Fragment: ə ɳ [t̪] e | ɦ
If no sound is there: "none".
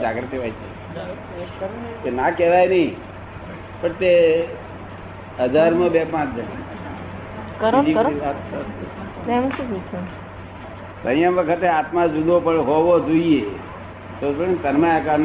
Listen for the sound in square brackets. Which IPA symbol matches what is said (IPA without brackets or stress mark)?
t̪